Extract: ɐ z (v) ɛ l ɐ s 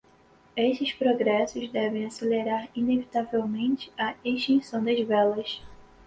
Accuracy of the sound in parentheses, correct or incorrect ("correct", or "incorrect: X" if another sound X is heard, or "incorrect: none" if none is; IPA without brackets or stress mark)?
correct